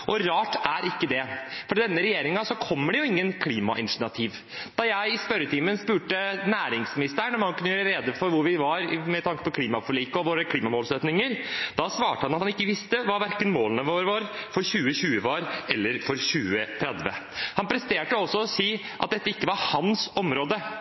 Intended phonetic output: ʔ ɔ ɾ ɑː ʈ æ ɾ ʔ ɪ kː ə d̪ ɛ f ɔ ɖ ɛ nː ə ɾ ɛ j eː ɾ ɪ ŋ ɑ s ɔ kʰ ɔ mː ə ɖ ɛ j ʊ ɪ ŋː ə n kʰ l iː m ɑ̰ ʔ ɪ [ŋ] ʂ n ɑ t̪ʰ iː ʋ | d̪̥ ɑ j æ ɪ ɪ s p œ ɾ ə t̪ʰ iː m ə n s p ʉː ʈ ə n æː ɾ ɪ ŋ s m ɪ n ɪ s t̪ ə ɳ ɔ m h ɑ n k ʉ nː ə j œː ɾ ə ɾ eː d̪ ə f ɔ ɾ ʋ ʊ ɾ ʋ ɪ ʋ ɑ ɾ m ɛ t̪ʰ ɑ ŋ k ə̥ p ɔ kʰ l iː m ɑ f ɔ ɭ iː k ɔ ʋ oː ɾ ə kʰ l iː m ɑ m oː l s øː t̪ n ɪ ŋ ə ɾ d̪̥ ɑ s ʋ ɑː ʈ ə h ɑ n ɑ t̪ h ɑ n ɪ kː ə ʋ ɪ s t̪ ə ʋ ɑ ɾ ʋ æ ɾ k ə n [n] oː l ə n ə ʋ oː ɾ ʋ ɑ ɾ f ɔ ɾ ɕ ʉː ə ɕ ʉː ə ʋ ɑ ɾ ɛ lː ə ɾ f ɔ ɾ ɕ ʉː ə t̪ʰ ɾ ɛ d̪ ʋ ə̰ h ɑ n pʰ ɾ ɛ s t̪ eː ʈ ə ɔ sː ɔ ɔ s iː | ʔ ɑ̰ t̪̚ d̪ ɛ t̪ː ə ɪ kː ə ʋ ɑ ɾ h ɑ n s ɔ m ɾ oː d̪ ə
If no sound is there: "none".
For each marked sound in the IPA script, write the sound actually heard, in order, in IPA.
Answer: n, m

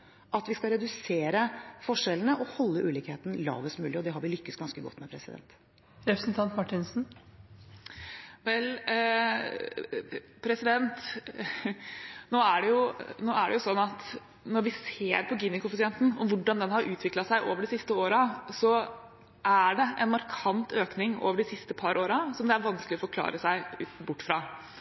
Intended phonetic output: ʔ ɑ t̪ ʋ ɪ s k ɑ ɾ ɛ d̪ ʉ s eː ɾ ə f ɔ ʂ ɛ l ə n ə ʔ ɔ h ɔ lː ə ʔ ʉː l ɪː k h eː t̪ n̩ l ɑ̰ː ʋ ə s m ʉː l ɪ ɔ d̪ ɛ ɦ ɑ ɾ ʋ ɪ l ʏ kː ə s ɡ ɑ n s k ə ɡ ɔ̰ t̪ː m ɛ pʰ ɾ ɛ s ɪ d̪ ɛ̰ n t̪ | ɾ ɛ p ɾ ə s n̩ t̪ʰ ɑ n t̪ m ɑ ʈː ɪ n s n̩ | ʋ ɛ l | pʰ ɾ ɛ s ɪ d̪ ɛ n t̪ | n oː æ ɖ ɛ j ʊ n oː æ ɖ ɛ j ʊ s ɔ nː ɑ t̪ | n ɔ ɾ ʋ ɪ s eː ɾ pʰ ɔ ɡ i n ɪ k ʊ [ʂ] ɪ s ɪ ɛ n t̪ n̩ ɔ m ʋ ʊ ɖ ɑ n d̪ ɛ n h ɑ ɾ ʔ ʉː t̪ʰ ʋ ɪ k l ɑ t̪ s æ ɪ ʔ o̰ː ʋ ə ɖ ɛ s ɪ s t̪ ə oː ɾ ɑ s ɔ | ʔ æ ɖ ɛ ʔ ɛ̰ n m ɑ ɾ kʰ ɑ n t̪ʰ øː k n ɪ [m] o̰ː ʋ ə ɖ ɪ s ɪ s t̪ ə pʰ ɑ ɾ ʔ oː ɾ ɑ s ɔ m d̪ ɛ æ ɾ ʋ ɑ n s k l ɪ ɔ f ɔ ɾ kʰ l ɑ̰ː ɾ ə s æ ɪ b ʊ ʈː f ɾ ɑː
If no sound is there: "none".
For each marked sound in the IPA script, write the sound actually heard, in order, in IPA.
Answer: f, ŋ

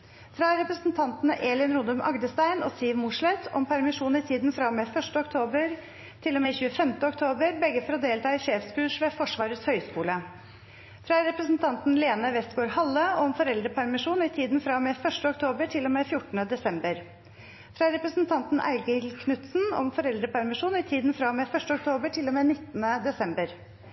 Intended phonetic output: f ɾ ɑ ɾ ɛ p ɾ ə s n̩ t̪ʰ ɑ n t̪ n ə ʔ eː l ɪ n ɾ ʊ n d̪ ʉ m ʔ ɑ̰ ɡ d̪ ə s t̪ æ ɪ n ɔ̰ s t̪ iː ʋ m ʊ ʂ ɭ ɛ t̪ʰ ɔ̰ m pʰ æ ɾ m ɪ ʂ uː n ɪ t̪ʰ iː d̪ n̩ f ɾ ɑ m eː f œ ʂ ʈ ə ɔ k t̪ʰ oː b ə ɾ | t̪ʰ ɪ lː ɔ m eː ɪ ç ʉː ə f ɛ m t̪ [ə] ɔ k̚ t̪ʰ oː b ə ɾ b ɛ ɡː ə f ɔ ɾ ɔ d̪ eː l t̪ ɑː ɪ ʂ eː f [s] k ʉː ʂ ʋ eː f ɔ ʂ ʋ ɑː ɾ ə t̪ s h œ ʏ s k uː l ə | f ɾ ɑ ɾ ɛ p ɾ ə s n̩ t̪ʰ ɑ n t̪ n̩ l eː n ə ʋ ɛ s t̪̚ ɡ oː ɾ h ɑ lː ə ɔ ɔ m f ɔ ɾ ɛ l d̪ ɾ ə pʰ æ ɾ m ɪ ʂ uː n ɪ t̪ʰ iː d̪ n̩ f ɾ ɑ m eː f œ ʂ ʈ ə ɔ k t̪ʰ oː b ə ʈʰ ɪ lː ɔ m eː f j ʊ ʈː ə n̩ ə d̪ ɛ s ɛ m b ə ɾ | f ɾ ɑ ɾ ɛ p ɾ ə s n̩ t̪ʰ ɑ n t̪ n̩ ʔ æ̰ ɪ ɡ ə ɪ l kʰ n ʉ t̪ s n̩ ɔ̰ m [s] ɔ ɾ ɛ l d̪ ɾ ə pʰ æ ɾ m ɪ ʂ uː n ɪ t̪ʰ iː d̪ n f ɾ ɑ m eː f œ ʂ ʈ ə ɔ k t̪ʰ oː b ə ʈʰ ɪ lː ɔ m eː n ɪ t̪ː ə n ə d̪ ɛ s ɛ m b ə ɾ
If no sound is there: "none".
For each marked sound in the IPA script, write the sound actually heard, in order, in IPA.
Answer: ə, s, f

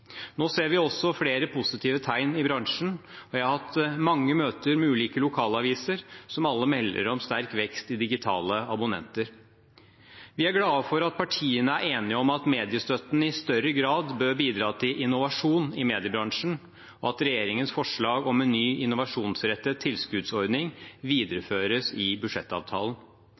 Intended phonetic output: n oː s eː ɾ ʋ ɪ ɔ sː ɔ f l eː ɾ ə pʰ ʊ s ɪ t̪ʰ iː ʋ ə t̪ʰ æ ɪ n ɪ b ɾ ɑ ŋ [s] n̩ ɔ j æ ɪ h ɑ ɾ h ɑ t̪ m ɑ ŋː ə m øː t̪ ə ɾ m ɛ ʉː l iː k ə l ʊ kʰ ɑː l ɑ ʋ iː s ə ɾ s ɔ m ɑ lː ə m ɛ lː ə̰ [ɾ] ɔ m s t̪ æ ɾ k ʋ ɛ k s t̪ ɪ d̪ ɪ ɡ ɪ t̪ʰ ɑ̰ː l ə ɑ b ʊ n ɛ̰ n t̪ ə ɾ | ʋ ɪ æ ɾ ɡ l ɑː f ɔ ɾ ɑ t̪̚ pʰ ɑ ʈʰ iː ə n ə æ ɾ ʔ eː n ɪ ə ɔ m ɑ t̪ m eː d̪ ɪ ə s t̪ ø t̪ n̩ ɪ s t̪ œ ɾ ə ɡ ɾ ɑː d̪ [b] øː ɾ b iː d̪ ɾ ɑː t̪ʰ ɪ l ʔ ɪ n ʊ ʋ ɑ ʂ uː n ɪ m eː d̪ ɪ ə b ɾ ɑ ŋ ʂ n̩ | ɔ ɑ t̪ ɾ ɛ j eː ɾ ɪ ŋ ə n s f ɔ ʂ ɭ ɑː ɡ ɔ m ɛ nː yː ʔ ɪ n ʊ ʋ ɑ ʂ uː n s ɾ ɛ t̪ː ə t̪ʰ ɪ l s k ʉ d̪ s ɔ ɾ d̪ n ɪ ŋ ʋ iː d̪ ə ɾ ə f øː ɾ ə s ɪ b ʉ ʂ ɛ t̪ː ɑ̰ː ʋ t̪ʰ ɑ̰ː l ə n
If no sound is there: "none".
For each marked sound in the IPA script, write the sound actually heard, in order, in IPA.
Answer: ʂ, ɾ, b

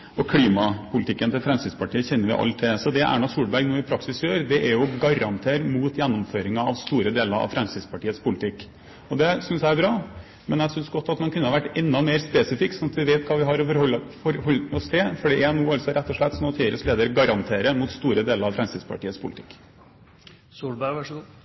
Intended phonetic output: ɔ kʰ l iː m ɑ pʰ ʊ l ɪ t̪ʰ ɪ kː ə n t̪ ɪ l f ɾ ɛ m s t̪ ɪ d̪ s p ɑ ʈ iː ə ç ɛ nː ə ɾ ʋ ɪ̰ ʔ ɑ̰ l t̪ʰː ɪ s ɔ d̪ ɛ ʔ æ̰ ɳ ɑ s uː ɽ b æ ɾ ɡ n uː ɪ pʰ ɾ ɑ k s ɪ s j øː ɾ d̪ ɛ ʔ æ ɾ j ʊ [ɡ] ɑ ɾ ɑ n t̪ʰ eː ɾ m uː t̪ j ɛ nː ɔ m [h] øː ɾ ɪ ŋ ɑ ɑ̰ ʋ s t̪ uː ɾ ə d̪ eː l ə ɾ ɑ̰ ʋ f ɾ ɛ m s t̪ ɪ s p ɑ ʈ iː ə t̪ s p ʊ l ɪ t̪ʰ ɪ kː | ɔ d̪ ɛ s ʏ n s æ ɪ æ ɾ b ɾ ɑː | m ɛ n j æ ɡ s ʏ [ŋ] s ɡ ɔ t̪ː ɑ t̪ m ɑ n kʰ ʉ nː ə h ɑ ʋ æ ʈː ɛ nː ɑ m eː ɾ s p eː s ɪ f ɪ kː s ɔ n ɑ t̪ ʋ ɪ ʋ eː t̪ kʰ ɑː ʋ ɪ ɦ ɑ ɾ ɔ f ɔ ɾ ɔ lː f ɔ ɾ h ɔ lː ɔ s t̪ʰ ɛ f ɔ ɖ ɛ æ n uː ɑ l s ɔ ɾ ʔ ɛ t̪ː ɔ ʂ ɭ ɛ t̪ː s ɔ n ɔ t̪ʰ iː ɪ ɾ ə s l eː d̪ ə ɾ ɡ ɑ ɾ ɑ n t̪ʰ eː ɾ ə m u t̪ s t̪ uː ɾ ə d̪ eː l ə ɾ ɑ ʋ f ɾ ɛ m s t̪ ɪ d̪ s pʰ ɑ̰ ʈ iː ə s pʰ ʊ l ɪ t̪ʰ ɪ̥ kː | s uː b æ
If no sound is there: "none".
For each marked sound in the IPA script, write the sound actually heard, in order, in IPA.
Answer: ɡ, f, n

